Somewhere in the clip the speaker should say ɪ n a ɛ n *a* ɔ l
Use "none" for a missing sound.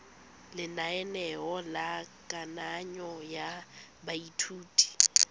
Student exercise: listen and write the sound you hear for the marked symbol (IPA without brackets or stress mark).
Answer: ɛ